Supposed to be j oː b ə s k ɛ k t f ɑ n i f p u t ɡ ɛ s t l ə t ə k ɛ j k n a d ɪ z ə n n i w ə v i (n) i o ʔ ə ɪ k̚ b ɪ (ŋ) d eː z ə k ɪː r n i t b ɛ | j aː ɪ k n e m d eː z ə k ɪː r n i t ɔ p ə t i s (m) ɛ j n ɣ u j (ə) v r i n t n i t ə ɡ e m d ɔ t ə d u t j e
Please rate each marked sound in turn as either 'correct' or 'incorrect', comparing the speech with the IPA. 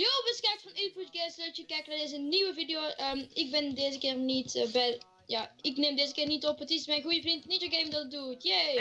incorrect: d, incorrect: n, correct, correct

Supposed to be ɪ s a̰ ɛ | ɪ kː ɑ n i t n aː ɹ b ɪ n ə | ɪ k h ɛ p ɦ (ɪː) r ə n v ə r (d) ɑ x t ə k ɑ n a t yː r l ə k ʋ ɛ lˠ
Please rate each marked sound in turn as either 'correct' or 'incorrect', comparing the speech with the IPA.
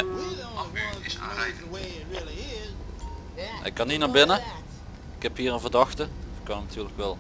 incorrect: iː, correct

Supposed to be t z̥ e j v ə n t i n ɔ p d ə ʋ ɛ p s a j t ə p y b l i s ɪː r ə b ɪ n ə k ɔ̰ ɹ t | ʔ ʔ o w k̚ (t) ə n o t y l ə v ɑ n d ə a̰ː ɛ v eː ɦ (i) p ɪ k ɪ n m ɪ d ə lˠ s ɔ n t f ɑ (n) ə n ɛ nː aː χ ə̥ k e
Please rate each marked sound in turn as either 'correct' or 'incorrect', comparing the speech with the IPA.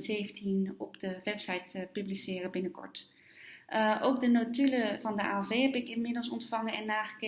incorrect: d, incorrect: ɛ, incorrect: ŋ

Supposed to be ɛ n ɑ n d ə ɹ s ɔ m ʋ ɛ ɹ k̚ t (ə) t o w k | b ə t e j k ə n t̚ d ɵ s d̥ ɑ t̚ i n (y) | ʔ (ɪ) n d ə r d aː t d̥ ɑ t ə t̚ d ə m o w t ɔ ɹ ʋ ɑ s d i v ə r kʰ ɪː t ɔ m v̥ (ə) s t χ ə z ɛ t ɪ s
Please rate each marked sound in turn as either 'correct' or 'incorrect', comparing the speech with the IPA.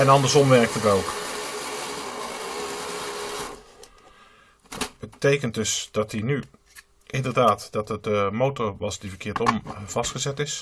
correct, correct, correct, incorrect: ɑ

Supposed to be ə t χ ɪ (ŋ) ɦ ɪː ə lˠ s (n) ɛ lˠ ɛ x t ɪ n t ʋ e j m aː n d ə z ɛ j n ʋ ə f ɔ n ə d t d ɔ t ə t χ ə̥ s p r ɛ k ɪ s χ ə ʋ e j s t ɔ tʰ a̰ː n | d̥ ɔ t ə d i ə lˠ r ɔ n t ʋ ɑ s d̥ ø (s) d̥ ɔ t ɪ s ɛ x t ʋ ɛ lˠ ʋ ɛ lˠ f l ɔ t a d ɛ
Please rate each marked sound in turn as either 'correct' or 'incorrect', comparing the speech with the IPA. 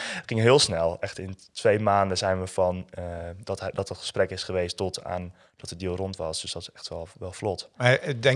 correct, correct, correct

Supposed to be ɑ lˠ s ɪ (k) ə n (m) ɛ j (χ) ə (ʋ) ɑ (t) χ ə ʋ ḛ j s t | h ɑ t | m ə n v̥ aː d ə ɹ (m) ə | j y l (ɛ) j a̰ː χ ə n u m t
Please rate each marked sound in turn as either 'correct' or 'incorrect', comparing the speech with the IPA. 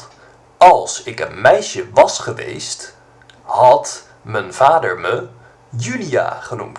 correct, correct, incorrect: ʃ, correct, incorrect: s, correct, incorrect: i

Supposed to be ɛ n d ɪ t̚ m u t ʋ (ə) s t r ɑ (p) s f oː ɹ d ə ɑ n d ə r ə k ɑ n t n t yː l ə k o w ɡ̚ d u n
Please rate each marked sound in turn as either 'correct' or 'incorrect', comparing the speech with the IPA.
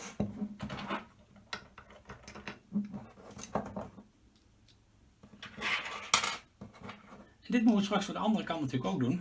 correct, incorrect: k

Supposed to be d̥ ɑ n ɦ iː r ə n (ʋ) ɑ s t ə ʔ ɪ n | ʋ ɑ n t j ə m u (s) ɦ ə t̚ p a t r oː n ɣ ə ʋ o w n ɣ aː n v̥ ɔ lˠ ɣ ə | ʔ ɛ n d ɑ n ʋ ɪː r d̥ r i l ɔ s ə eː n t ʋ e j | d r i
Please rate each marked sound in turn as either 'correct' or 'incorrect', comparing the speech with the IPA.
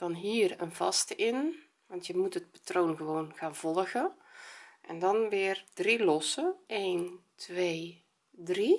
incorrect: v, incorrect: t

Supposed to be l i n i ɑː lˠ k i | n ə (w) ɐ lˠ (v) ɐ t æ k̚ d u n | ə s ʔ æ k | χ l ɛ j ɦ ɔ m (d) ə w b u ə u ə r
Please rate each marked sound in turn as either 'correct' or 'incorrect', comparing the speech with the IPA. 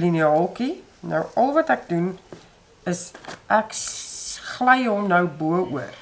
correct, correct, incorrect: n

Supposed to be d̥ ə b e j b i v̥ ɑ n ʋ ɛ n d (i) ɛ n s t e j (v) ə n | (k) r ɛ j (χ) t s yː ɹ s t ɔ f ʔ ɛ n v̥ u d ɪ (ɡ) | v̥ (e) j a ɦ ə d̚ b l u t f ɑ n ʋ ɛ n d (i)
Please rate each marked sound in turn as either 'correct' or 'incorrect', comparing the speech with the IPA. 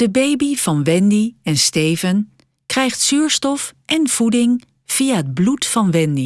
correct, correct, correct, correct, incorrect: ŋ, incorrect: i, correct

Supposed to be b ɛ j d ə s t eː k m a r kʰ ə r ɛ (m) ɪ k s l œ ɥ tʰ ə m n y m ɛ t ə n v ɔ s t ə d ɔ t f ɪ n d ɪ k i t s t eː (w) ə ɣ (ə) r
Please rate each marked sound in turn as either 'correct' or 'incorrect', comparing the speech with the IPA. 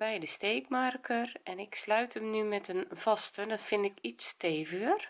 incorrect: n, incorrect: v, correct

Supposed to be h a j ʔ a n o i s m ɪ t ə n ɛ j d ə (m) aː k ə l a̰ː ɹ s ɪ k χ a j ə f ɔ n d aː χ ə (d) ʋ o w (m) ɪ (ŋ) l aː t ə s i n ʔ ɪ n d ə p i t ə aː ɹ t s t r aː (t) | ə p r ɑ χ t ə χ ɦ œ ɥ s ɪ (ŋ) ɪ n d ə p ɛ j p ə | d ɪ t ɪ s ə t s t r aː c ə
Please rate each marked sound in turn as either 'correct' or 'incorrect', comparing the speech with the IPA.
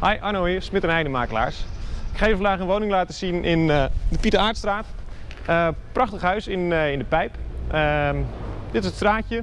correct, incorrect: n, incorrect: n, correct, correct, incorrect: n

